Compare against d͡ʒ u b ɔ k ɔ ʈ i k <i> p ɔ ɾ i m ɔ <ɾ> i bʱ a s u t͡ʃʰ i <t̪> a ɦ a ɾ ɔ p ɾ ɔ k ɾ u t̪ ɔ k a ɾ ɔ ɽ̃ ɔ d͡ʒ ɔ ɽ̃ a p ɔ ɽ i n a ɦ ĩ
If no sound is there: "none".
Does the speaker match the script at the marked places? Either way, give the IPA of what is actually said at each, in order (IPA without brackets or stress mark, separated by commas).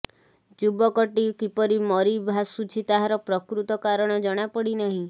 i, ɾ, t̪